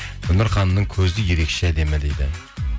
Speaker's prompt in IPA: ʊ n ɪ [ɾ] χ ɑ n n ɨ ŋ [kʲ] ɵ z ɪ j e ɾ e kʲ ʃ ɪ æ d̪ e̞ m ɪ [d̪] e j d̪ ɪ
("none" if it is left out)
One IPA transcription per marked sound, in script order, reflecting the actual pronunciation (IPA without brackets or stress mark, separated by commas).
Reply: ɾ, kʲʰ, d̪